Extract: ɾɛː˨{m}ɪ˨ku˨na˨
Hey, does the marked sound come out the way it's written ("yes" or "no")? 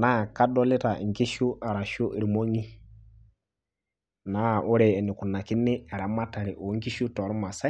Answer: no